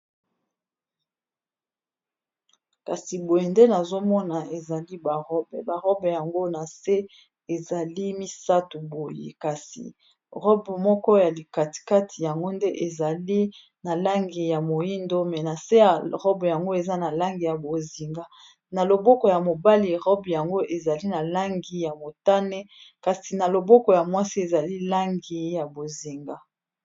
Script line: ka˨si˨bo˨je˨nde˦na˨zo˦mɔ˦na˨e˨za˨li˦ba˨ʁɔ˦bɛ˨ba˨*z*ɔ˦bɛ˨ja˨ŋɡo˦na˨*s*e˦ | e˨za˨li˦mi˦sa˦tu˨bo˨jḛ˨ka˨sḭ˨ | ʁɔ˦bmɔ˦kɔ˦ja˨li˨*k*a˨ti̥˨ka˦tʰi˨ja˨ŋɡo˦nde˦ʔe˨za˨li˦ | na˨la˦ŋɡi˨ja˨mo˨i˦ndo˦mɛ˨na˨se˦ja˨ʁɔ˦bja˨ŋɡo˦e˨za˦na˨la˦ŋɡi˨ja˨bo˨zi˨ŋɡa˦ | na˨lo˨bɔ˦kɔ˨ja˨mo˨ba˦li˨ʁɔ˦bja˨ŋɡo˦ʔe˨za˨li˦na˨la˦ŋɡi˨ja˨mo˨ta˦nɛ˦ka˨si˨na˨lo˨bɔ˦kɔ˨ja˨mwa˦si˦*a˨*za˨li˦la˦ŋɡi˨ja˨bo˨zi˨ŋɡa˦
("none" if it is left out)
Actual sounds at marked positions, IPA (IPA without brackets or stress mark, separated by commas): ʁ, s, k, e˨